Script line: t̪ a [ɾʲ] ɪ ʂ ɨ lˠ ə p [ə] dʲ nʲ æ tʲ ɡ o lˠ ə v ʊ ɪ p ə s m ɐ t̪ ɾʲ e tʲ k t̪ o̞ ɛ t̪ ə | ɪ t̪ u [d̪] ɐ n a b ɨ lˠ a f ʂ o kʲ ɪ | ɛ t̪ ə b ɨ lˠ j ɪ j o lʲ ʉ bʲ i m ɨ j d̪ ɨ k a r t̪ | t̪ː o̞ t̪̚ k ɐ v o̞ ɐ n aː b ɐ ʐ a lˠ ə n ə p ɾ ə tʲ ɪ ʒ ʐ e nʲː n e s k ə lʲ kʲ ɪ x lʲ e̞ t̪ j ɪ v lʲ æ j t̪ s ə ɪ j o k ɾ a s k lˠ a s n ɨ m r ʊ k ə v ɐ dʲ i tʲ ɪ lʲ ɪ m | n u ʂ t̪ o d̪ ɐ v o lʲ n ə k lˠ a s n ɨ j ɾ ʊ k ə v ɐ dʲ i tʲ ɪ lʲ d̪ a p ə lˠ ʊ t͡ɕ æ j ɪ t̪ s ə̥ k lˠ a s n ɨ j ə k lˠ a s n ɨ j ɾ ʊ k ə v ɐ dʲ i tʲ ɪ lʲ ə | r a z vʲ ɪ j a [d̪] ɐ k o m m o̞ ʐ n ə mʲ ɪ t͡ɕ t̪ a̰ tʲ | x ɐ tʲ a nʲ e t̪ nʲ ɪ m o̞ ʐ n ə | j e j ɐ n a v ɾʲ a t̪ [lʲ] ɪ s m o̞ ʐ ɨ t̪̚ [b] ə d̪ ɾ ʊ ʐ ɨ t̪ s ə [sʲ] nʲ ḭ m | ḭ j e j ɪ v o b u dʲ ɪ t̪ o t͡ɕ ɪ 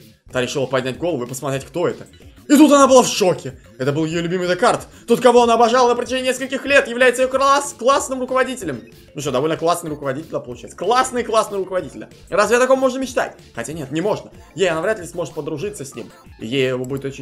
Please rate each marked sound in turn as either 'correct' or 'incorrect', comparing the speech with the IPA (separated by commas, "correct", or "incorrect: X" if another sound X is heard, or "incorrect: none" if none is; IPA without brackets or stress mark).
correct, incorrect: ɐ, incorrect: t̪, incorrect: t̪, correct, incorrect: p, correct